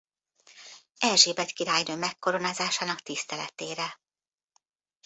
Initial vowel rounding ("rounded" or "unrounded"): unrounded